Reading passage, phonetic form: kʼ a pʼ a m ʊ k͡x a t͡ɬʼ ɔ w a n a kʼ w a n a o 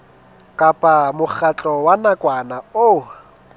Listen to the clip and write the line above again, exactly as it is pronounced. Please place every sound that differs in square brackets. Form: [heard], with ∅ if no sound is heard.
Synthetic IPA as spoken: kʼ a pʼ a m ʊ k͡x a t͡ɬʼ ɔ w a n a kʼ w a n a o